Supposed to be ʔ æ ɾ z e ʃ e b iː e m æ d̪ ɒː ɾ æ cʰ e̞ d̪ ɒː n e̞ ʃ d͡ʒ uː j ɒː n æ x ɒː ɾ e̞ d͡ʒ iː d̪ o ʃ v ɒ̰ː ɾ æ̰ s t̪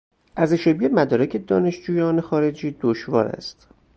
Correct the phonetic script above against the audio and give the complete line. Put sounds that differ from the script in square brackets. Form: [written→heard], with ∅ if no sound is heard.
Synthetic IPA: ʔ æ ɾ z e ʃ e b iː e m æ d̪ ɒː ɾ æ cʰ e̞ d̪ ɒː n e̞ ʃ d͡ʒ uː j ɒː n [æ→e] x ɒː ɾ e̞ d͡ʒ iː d̪ o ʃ v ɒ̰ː ɾ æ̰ s t̪